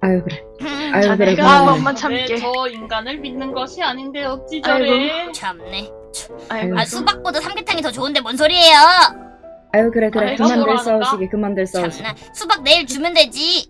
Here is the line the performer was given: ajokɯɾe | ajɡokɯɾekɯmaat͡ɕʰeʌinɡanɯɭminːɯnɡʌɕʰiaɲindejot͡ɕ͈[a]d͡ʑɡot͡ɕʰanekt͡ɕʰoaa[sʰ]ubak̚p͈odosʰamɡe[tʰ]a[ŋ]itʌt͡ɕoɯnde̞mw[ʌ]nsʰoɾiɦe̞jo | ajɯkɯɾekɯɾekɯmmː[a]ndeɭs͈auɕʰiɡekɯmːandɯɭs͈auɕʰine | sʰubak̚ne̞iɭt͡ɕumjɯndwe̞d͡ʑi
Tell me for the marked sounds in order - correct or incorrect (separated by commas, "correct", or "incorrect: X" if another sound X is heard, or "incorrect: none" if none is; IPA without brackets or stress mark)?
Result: incorrect: i, correct, correct, correct, correct, correct